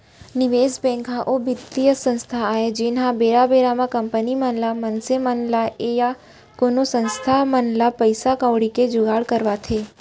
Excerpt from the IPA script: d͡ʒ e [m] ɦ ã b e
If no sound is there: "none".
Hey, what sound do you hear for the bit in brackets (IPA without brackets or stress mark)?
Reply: n